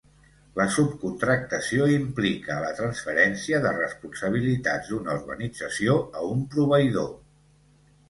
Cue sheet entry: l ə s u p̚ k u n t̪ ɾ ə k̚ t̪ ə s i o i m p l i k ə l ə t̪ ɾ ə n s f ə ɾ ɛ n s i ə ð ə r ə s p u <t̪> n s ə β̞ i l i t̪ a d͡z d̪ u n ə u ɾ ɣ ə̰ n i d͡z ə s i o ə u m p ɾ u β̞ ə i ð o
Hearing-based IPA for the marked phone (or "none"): none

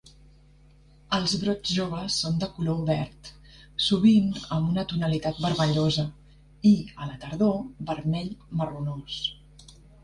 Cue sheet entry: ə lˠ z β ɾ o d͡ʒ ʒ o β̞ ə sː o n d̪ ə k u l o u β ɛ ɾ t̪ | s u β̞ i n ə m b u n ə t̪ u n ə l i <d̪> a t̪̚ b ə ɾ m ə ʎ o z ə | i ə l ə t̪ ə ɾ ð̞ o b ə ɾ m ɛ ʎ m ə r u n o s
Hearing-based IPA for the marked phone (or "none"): t̪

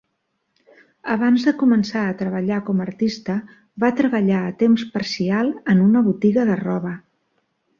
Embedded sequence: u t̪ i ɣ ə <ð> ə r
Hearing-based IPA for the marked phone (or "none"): ð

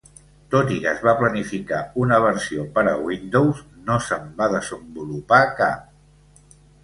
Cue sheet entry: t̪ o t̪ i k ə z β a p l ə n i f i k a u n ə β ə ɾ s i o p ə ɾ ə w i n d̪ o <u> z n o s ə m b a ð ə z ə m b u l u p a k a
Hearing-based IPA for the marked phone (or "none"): w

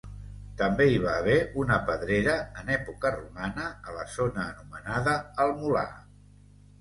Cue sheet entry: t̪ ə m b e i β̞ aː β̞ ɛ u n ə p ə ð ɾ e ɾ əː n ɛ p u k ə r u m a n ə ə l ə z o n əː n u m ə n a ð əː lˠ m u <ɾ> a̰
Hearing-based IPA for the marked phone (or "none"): l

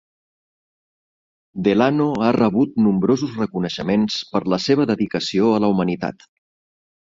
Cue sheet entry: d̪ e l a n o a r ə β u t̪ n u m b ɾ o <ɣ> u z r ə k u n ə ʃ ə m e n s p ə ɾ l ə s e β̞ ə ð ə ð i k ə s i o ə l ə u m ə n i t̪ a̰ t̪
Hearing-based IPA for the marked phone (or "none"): z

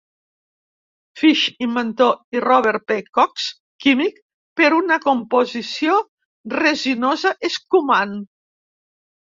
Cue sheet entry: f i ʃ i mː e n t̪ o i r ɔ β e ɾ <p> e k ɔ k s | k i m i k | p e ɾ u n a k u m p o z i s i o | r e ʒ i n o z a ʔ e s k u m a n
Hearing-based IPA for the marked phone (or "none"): p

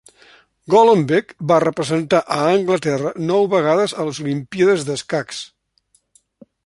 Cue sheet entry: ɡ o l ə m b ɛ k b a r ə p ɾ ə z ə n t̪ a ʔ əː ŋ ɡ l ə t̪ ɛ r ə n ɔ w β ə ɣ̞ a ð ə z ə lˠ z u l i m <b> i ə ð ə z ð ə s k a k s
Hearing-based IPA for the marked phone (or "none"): p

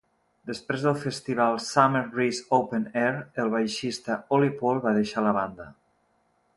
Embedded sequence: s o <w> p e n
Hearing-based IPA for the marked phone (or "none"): w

